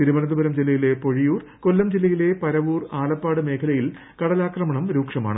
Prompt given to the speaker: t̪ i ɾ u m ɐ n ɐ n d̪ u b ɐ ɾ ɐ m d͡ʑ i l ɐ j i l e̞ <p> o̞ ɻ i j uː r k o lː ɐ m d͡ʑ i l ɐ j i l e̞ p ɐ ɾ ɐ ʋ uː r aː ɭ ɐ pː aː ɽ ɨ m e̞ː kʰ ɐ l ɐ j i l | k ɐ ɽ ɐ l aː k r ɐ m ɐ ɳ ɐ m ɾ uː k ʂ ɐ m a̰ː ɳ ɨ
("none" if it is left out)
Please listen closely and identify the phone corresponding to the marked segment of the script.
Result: p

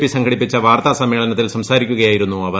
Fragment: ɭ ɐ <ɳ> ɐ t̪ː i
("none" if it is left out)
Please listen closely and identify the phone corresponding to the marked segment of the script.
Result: n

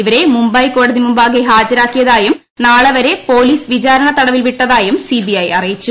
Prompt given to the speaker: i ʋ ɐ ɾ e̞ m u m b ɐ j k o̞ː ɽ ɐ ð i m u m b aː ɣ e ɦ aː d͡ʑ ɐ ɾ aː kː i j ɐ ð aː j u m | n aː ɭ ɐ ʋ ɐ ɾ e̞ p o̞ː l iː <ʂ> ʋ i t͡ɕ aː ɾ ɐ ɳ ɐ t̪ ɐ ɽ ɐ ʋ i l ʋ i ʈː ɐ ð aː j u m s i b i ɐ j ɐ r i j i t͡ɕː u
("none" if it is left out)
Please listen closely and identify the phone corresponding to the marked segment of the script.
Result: s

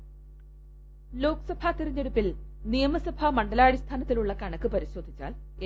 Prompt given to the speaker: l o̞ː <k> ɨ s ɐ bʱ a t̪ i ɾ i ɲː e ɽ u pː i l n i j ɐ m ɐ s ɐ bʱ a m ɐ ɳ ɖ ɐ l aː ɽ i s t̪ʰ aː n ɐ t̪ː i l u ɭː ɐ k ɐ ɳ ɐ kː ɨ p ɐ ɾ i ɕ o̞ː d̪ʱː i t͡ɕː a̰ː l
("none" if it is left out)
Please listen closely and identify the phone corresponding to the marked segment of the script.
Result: k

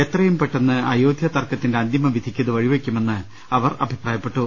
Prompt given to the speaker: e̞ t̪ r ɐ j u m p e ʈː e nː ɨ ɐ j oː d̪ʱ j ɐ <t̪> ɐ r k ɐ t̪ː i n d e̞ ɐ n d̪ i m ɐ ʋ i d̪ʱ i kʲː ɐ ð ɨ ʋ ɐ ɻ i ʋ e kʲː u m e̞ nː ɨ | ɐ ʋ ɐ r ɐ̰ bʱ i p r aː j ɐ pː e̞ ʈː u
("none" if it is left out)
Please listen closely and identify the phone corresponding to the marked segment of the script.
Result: t̪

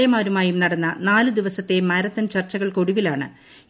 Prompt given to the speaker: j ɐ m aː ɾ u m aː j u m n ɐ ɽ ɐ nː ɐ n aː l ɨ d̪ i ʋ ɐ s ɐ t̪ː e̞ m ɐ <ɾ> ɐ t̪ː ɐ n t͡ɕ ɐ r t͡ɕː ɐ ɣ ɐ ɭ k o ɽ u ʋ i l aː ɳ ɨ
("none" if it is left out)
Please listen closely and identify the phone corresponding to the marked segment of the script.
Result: ɾ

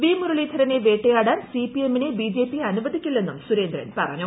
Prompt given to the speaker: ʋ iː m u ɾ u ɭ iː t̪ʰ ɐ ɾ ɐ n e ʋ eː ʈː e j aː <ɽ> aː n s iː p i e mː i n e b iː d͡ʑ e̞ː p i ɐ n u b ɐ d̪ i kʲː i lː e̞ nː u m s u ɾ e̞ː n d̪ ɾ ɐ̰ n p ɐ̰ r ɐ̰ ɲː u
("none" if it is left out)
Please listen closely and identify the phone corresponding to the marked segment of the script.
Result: ɽ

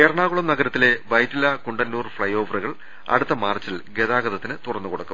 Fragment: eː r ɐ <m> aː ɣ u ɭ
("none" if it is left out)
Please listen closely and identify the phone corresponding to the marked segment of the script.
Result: ɳ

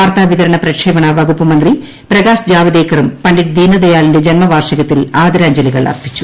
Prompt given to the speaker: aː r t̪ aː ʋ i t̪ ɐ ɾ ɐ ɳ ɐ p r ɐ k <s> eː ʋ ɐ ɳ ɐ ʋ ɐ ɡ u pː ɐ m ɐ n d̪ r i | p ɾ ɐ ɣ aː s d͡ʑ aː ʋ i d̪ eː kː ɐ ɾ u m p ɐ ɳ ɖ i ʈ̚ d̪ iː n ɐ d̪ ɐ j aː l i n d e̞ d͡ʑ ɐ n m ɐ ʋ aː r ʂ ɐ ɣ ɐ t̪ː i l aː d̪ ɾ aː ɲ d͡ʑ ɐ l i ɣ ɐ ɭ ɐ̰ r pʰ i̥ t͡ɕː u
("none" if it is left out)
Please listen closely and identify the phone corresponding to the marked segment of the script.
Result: ʂ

